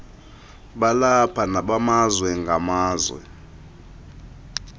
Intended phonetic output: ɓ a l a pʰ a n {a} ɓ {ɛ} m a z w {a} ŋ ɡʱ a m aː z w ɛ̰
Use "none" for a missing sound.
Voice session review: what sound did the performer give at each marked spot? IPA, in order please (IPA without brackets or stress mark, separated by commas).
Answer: a, a, ɛ